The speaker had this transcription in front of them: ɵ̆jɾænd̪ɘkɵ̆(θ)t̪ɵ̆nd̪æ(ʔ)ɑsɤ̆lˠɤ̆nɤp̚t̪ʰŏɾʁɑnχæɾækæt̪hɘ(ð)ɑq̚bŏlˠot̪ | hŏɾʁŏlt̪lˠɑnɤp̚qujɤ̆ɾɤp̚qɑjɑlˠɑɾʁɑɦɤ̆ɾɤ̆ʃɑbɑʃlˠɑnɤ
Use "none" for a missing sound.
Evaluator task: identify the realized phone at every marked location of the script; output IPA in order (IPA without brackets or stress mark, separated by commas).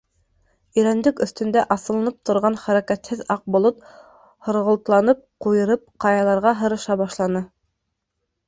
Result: θ, ʔ, ð